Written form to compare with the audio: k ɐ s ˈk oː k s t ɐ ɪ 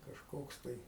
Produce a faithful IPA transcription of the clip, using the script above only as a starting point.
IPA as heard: k ɐ ʃ ˈk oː k s t ɐ ɪ

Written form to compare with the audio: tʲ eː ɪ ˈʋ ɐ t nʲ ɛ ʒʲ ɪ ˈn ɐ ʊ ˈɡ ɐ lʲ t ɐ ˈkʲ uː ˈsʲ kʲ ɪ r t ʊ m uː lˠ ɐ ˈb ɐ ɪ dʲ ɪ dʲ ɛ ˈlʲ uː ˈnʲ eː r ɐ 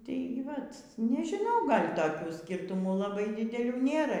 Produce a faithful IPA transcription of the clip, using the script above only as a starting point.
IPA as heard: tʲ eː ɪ ˈʋ ɐ t nʲ ɛ ʒʲ ɪ ˈn ɐ ʊ ˈɡ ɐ lʲ t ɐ ˈkʲ uː ˈsʲ kʲ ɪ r t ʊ m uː lˠ ɐ ˈb ɐ ɪ dʲ ɪ dʲ ɛ ˈlʲ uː ˈnʲ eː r ɐ

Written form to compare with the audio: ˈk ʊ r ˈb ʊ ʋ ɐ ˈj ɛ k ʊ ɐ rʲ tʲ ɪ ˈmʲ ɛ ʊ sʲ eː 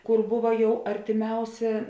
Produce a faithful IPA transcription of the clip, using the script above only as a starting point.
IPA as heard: ˈk ʊ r ˈb ʊ ʋ ɐ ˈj ɛ ʊ ɐ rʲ tʲ ɪ ˈmʲ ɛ ʊ sʲ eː

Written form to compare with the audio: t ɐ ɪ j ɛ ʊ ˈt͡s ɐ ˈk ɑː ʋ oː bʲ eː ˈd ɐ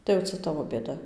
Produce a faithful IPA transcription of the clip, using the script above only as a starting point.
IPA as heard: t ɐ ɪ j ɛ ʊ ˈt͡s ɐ ˈt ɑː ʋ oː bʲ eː ˈd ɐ

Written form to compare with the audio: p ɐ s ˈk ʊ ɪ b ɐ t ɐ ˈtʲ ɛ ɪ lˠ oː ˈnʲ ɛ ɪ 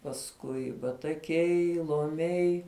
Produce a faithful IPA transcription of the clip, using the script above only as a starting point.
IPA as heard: p ɐ s ˈk ʊ ɪ b ɐ t ɐ ˈkʲ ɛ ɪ lˠ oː ˈmʲ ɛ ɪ

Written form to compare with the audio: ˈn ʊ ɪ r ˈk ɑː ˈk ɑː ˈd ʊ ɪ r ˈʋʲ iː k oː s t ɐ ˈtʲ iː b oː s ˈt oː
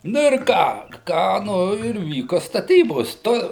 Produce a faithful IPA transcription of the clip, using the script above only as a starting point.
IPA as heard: ˈn ʊ ɪ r ˈk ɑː ˈk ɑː ˈn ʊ ɪ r ˈʋʲ iː k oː s t ɐ ˈtʲ iː b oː s ˈt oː

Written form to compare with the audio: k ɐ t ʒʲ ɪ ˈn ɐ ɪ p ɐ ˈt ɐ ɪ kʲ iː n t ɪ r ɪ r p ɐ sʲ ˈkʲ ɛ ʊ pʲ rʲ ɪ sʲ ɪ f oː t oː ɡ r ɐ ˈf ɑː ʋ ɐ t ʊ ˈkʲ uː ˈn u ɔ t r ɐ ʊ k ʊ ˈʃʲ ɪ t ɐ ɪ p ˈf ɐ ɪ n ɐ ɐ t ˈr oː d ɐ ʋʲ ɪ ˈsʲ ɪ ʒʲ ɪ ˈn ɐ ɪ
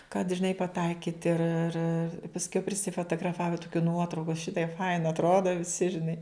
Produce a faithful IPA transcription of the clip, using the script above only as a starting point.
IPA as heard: k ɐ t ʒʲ ɪ ˈn ɐ ɪ p ɐ ˈt ɐ ɪ kʲ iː t ɪ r ɪ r p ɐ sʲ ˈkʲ ɛ ʊ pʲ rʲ ɪ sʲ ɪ f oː t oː ɡ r ɐ ˈf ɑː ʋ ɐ t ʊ ˈkʲ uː ˈn u ɔ t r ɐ ʊ k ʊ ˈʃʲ ɪ t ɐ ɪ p ˈf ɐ ɪ n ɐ ɐ t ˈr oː d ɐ ʋʲ ɪ ˈsʲ ɪ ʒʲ ɪ ˈn ɐ ɪ

